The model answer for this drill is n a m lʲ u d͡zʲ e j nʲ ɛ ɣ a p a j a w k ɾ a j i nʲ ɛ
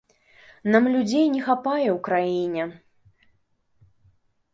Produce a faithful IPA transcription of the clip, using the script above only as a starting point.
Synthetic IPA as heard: n a m lʲ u d͡zʲ e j nʲ ɛ x a p a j ɛ w k ɾ a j i nʲ ɛ